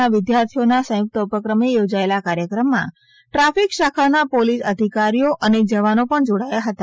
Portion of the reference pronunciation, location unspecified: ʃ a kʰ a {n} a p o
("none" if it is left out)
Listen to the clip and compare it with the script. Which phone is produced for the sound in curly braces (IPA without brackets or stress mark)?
n